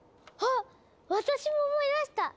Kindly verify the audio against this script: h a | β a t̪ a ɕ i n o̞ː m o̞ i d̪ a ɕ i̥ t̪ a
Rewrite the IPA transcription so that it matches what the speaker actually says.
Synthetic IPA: h a | β a t̪ a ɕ i m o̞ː m o̞ i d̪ a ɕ i̥ t̪ a